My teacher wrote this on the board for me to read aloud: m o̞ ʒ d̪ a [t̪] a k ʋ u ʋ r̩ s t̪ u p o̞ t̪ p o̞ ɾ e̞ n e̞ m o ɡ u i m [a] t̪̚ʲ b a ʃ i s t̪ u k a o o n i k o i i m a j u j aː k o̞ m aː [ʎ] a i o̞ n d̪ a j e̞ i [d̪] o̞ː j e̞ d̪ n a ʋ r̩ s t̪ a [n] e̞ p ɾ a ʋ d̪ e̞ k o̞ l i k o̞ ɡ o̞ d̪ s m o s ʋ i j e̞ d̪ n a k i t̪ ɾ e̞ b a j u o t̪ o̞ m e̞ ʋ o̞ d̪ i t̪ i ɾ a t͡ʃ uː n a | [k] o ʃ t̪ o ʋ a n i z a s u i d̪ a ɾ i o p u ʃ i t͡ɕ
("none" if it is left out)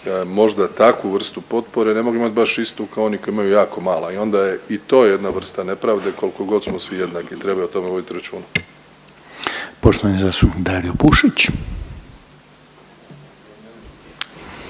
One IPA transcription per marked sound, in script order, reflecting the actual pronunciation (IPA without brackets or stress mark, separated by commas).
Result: t̪, a, l, t̪, n, p